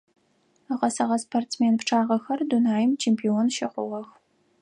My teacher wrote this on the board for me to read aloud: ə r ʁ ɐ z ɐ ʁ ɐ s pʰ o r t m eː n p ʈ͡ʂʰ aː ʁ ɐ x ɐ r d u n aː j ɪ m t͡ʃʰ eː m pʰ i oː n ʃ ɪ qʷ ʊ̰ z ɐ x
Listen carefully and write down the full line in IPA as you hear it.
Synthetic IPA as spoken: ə ʁ ɐ s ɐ ʁ ɐ s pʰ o r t m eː n p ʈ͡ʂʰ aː ʁ ɐ x ɐ r d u n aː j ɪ m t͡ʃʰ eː m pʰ i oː n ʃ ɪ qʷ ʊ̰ ʁ ɐ x